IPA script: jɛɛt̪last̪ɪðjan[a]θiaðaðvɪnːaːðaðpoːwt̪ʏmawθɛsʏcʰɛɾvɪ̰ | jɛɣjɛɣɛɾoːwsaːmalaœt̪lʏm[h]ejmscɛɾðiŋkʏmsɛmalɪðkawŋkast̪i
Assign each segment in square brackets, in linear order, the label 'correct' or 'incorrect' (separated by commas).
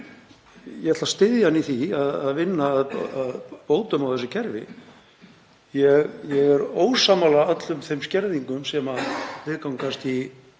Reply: incorrect, incorrect